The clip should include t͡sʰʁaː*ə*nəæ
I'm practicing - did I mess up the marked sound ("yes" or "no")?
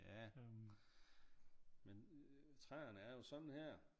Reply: yes